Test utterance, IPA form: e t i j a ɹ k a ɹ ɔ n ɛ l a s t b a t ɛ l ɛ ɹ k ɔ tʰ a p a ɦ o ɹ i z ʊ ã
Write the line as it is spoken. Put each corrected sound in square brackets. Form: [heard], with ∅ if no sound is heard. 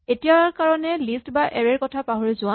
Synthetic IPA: e t i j a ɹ k a ɹ ɔ n ɛ l [i] s t b a [ʔ] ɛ [ɹ] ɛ ɹ k ɔ tʰ a p a ɦ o ɹ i z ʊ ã